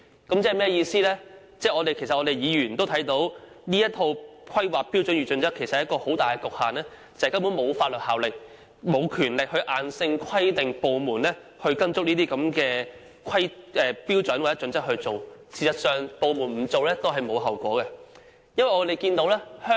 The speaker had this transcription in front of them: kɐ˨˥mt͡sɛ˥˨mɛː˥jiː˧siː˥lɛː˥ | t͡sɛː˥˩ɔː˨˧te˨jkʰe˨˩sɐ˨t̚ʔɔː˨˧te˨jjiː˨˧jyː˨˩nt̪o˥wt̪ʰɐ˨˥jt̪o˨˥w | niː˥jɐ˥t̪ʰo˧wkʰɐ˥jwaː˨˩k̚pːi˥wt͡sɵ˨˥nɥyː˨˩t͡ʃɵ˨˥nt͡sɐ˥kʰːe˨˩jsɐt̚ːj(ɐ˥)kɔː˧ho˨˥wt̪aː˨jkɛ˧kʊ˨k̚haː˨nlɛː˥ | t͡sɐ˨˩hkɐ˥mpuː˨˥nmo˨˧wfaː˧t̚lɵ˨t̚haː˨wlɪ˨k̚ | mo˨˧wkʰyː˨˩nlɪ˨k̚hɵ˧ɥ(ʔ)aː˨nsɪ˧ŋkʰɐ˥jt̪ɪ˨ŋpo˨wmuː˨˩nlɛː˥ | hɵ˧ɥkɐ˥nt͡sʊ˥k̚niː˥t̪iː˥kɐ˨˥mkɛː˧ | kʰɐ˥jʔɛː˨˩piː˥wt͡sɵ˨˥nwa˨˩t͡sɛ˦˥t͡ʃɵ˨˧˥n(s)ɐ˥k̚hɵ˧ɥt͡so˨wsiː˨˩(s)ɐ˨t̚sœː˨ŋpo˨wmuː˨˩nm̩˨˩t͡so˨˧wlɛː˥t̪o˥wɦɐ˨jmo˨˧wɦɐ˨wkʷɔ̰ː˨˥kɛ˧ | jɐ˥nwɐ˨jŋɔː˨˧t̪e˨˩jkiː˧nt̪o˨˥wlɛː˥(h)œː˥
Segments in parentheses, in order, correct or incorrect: correct, correct, incorrect: t͡s, correct, correct

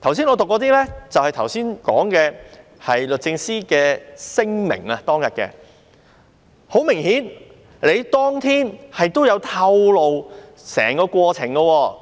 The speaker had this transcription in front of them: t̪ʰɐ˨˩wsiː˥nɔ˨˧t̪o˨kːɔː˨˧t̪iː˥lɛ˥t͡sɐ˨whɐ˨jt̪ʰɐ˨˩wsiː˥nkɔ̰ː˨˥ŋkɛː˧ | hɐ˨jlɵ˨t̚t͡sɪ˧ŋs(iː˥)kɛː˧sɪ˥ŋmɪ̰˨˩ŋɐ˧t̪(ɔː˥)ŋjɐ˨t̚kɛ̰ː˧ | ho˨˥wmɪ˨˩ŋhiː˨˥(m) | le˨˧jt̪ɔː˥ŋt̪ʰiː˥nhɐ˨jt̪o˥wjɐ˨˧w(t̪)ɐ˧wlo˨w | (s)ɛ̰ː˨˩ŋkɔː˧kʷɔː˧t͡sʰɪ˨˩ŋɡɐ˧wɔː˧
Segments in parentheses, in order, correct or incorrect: correct, correct, incorrect: n, incorrect: t̪ʰ, correct

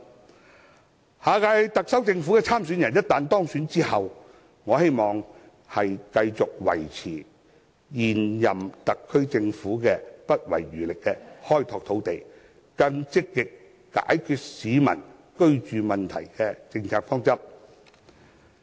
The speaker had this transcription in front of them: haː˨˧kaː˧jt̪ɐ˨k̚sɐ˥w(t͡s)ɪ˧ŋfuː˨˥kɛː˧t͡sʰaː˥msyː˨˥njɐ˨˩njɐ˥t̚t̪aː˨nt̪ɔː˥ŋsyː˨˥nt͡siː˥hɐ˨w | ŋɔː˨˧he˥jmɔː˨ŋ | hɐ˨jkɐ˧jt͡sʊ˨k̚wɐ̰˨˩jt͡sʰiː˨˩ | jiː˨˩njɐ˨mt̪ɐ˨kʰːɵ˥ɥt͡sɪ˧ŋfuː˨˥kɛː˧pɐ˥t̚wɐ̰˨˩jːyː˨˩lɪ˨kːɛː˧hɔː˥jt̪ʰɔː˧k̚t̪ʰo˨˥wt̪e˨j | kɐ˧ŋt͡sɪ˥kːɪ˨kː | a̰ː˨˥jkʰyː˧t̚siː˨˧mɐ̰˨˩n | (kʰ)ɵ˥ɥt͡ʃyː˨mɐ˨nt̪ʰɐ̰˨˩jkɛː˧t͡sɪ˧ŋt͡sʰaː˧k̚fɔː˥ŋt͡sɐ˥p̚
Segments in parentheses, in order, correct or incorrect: correct, incorrect: k

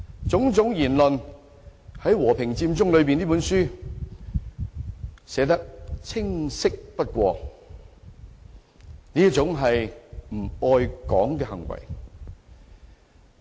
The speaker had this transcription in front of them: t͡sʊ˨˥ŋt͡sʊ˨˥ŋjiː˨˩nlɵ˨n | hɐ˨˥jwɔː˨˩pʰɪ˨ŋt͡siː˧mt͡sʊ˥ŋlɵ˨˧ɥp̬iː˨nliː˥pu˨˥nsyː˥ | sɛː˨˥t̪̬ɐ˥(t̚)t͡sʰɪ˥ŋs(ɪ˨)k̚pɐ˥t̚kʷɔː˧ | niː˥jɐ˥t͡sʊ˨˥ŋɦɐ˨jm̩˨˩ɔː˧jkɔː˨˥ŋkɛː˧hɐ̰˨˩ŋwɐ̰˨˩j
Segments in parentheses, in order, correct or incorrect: incorrect: k̚, incorrect: ɪ˥

